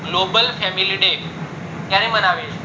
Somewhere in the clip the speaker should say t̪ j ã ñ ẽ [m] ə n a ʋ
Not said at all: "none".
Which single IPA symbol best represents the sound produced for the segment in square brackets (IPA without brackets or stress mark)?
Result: m